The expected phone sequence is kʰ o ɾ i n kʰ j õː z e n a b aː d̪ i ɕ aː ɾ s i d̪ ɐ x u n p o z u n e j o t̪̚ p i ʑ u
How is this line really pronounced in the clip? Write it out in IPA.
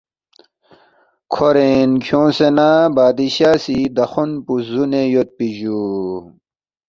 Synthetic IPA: kʰ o ɾ e n kʰ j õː s e n a b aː d̪ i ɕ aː s i d̪ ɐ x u n p u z u n e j o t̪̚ p i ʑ u